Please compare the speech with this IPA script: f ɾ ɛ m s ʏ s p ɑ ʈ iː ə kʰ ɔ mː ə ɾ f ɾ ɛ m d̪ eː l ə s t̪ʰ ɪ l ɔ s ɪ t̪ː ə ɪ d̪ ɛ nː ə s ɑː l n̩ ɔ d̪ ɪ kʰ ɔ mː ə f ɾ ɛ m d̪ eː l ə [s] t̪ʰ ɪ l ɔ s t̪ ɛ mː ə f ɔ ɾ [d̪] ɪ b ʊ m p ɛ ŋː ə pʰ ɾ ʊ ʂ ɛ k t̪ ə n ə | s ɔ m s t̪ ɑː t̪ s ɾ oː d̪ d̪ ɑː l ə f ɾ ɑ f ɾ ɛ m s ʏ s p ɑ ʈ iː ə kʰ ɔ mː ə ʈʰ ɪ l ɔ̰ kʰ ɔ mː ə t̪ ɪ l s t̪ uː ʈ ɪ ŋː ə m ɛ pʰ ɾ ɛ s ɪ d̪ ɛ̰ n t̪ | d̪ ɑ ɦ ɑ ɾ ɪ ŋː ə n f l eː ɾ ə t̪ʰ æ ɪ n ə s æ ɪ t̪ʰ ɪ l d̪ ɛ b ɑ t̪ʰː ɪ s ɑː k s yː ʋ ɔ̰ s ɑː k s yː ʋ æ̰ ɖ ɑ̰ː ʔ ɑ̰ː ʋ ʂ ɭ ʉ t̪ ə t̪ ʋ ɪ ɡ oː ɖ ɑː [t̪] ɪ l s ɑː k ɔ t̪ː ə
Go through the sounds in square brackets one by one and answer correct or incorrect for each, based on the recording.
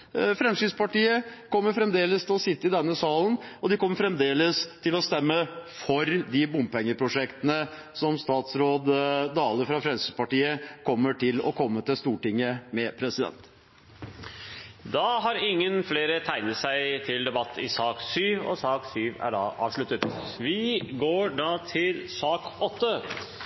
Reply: correct, correct, incorrect: t̪ʰ

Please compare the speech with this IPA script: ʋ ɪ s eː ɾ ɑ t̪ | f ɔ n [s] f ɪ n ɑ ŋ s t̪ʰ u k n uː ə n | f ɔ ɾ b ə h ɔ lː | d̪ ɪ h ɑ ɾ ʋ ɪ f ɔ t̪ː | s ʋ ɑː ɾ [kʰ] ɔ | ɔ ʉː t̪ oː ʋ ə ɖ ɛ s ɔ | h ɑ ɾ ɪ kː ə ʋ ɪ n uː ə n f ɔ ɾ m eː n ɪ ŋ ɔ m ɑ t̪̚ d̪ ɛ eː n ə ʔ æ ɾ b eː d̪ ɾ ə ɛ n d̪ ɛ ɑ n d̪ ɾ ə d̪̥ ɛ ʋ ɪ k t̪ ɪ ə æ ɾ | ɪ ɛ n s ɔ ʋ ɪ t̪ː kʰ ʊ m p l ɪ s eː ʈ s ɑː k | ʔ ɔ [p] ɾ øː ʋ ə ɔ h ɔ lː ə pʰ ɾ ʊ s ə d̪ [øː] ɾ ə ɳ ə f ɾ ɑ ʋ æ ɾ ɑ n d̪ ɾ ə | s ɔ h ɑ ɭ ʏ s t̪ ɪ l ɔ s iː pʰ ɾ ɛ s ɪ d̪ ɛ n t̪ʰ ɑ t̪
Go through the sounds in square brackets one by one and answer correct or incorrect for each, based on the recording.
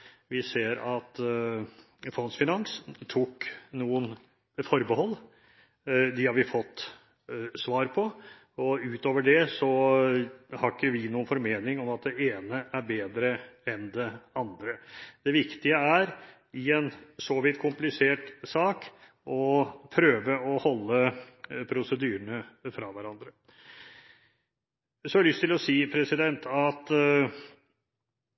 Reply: correct, incorrect: pʰ, incorrect: pʰ, incorrect: yː

